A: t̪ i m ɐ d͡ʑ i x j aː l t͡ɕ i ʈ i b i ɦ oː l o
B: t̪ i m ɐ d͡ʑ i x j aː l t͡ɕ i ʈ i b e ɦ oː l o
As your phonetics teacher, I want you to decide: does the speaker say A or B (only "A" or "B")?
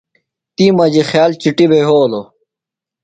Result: B